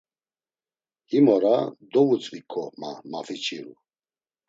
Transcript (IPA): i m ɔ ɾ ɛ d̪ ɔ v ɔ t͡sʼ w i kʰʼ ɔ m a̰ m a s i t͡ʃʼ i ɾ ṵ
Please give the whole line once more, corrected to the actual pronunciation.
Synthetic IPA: i m ɔ ɾ a d̪ ɔ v u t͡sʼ v i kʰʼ ɔ m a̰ m a f i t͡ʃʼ i ɾ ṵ